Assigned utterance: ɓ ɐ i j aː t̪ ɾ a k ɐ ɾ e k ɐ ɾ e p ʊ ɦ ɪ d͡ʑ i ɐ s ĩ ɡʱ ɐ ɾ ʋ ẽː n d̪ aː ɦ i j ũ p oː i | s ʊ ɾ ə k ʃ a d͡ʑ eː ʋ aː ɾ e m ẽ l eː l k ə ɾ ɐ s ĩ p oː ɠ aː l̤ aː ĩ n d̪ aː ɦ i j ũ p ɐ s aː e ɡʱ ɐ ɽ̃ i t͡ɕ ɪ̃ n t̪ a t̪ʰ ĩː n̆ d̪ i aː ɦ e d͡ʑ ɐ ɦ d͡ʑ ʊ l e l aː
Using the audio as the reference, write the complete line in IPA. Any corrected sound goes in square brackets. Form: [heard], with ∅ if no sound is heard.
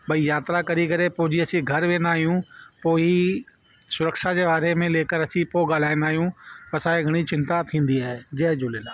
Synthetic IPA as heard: ɓ ɐ i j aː t̪ ɾ a k ɐ ɾ [i] k ɐ ɾ e p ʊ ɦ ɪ d͡ʑ i ɐ s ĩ ɡʱ ɐ ɾ ʋ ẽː n d̪ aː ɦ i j ũ p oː i | s ʊ ɾ ə k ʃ a d͡ʑ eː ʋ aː ɾ e m ẽ l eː [∅] k ə ɾ ɐ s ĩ p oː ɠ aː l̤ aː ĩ n d̪ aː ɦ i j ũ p ɐ s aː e ɡʱ ɐ ɽ̃ i t͡ɕ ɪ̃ n t̪ a t̪ʰ ĩː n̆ d̪ i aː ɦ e d͡ʑ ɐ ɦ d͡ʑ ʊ l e l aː